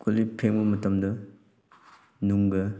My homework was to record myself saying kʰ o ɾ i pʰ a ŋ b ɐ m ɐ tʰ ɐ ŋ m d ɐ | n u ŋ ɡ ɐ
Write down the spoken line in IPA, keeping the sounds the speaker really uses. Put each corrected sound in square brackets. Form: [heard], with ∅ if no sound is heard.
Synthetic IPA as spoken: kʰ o [l] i pʰ [e] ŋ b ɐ m ɐ [t] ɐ [∅] m d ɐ | n u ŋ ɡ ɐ